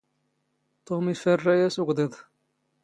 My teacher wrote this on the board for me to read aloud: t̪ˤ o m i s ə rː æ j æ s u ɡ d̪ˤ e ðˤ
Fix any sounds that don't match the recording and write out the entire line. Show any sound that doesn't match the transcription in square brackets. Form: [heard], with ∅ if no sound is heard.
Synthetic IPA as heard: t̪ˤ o m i [f] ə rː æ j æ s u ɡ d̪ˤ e ðˤ